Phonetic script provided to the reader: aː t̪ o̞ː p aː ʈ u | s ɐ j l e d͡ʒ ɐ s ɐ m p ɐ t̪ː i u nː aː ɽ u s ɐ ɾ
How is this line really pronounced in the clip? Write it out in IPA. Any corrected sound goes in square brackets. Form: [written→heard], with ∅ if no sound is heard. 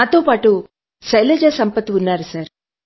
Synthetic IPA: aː t̪ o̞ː p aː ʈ u | s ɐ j l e d͡ʒ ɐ s ɐ m p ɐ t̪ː i u nː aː [ɽ→ɾ] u s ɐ ɾ